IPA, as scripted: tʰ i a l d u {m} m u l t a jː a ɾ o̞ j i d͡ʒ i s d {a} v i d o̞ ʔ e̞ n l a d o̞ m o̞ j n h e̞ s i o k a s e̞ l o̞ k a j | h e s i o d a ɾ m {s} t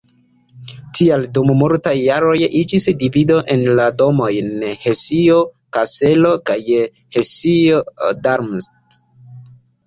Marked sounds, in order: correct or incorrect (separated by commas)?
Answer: correct, incorrect, correct